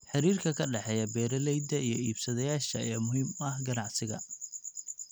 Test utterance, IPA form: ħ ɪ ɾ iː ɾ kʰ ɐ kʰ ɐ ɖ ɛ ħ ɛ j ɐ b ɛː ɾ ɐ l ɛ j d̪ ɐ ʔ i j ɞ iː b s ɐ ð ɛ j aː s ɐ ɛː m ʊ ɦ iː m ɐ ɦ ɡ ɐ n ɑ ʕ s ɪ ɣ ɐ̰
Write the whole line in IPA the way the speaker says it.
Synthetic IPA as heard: ħ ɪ ɾ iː r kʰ ɐ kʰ ɐ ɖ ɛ ħ ɛ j ɐ b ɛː ɾ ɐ l ɛ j d̪ ɐ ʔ i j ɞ iː b s ɐ ð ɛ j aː ʃ ɐ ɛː m ʊ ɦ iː m ɐ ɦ ɡ ɐ n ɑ ʕ s ɪ ɣ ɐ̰